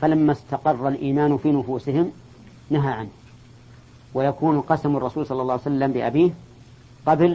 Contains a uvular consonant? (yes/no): yes